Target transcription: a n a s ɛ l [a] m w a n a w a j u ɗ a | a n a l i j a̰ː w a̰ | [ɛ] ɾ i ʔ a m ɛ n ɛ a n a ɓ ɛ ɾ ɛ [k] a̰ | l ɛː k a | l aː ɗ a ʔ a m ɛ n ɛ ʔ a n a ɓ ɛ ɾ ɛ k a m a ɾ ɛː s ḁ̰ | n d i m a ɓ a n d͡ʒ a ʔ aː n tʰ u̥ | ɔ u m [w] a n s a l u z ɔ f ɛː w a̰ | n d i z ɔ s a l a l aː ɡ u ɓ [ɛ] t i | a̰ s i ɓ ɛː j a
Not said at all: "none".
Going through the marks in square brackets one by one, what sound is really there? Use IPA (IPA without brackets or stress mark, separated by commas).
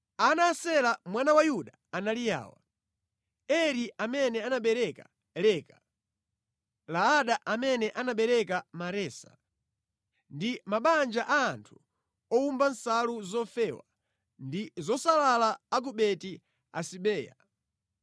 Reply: a, ɛ, k, b, ɛ